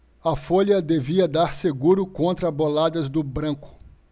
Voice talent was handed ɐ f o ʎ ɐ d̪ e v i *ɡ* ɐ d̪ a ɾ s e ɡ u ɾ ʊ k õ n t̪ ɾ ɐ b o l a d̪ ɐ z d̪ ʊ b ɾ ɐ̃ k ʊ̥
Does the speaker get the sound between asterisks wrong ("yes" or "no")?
yes